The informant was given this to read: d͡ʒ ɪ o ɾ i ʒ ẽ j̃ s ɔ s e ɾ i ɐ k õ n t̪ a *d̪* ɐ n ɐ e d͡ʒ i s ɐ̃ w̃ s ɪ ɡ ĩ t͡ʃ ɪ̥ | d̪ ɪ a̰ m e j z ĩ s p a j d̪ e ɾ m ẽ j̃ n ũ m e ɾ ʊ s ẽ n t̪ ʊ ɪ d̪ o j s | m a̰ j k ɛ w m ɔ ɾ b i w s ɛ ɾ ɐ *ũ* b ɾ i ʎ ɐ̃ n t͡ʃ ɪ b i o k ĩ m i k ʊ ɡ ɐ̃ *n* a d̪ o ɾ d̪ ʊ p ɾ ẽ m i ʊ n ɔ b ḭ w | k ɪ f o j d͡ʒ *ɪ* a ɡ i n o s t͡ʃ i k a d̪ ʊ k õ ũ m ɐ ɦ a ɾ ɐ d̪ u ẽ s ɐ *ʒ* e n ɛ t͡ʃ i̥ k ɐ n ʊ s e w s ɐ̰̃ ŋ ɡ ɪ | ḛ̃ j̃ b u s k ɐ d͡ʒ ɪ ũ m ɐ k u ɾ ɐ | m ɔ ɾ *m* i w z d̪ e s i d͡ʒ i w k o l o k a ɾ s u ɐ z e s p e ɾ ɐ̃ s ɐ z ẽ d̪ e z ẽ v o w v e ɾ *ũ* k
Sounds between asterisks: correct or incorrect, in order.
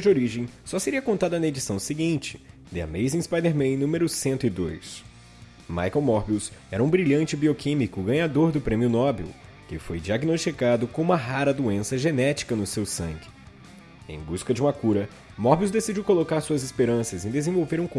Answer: correct, correct, incorrect, incorrect, correct, incorrect, correct

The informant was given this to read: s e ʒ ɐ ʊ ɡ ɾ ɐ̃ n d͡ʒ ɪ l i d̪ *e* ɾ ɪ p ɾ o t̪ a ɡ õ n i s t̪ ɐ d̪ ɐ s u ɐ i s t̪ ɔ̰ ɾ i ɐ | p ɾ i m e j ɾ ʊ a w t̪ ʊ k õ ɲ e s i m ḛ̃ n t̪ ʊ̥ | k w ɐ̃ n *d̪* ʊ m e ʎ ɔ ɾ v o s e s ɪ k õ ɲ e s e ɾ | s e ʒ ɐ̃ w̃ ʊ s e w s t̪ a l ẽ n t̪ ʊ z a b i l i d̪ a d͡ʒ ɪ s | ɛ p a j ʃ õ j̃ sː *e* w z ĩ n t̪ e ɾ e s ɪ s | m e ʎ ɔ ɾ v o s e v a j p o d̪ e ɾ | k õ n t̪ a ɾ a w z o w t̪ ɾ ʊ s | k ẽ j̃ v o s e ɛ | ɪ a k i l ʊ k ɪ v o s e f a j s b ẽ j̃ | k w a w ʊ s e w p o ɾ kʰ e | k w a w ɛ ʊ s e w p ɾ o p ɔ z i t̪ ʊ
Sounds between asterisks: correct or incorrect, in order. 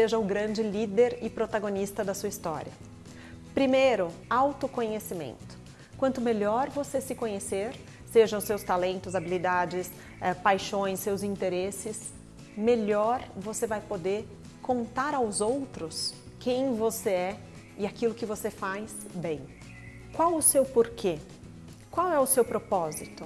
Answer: correct, incorrect, correct

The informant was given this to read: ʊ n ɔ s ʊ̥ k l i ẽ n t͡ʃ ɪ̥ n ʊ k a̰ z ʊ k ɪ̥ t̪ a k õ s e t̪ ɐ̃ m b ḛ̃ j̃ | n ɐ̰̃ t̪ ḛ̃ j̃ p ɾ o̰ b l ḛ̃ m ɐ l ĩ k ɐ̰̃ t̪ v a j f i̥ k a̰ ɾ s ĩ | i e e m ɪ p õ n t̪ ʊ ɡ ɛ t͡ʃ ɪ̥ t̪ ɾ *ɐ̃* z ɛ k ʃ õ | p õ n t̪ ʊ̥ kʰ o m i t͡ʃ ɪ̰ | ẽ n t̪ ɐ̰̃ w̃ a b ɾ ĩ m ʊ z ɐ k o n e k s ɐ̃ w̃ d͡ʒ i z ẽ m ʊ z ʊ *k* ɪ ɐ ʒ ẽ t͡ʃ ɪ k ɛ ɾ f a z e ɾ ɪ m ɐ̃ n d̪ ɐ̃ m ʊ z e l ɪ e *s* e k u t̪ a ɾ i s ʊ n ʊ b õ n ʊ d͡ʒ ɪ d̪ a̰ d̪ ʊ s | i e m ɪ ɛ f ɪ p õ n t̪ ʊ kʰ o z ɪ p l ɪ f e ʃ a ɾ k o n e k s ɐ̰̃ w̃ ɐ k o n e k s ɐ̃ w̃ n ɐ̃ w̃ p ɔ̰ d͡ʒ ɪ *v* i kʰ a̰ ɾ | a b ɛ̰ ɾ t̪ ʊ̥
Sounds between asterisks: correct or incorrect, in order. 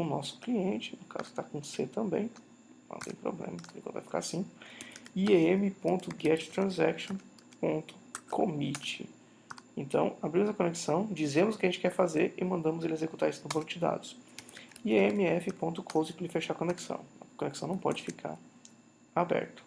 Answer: correct, correct, incorrect, incorrect

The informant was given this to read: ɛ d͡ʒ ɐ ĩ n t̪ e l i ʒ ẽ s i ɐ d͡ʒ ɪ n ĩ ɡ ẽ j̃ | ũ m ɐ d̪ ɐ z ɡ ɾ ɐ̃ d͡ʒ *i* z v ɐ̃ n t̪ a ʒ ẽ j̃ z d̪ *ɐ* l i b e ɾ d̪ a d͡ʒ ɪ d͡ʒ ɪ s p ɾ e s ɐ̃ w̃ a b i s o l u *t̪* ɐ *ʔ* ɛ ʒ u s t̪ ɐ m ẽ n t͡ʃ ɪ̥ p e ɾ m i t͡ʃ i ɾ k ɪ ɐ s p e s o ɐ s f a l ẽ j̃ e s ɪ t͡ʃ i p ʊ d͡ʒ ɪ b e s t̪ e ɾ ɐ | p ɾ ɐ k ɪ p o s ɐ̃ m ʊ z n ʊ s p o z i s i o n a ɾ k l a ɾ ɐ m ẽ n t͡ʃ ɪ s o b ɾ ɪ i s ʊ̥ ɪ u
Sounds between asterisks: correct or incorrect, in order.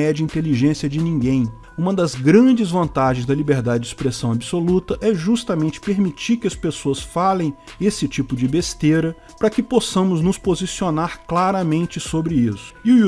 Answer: incorrect, correct, correct, correct

